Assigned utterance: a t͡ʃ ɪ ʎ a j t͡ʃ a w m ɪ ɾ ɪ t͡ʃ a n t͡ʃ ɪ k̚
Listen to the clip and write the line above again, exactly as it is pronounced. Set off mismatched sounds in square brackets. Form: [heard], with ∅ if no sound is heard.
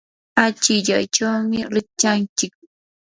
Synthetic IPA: a t͡ʃ ɪ ʎ a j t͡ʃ a w m ɪ ɾ ɪ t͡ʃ a n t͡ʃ ɪ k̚